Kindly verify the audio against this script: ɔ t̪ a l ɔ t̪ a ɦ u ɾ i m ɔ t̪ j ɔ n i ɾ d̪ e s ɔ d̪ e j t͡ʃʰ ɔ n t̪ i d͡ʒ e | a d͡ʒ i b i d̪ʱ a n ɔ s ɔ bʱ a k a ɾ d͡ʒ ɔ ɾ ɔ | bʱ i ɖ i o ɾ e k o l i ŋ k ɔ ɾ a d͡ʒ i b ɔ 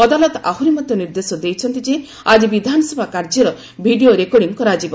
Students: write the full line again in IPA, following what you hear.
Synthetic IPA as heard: ɔ d̪ a l ɔ t̪ a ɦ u ɾ i m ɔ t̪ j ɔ n i ɾ d̪ e s ɔ d̪ e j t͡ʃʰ ɔ n t̪ i d͡ʒ e | a d͡ʒ i b i d̪ʱ a n ɔ s ɔ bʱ a k a ɾ d͡ʒ ɔ ɾ ɔ | bʱ i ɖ i o ɾ e k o ɽ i ŋ k ɔ ɾ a d͡ʒ i b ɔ